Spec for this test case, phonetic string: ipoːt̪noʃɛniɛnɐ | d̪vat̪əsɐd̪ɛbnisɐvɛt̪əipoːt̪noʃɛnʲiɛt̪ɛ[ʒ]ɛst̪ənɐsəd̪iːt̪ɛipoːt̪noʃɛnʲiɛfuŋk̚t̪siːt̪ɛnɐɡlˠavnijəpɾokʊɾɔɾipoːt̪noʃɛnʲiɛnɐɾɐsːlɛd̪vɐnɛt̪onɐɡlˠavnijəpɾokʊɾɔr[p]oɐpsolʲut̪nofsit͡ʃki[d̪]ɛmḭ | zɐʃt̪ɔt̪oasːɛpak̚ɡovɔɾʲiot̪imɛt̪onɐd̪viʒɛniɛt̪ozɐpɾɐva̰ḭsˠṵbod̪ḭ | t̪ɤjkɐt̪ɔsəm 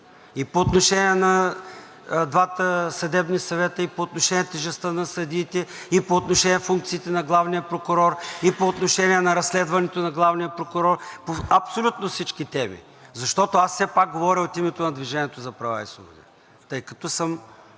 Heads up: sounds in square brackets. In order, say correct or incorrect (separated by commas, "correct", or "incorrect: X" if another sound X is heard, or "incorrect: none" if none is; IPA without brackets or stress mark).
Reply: correct, correct, incorrect: t̪